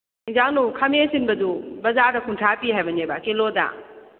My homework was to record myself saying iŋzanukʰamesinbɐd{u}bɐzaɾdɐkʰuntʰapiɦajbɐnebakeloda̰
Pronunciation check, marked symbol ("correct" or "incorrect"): correct